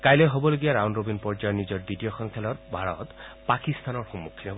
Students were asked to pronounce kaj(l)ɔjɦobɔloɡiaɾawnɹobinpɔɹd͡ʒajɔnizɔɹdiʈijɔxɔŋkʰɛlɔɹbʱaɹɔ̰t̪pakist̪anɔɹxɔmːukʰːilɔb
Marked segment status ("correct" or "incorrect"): correct